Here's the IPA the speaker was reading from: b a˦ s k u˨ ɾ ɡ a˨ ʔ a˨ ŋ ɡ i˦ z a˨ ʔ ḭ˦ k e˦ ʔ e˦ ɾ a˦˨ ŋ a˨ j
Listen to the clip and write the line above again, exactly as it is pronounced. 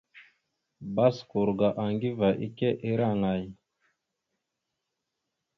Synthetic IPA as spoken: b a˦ s k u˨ ɾ ɡ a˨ ʔ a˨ ŋ ɡ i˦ v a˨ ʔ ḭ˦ k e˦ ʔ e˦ ɾ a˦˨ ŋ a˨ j